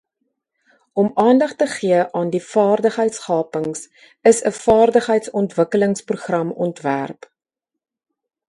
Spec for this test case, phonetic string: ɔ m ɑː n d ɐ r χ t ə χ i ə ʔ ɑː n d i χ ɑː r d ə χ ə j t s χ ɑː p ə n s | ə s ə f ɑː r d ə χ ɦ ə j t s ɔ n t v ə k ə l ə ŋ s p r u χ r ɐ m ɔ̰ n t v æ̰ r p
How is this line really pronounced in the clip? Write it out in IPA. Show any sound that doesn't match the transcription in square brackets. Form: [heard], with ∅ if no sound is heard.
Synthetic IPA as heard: ɔ m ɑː n d ɐ [∅] χ t ə χ i ə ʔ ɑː n d i [f] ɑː r d ə χ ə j t s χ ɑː p ə [ŋ] s | ə s ə f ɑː r d ə χ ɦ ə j t s ɔ n t v ə k ə l ə ŋ s p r u χ r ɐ m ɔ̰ n t v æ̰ r p